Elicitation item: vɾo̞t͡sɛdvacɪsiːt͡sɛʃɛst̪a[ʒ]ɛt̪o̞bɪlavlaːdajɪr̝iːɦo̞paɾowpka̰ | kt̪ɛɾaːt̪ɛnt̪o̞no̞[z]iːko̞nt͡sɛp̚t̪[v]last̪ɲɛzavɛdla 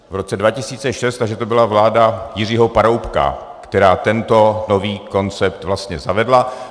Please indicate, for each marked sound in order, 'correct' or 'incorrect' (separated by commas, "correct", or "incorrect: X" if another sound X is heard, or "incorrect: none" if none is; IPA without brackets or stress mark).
correct, incorrect: v, correct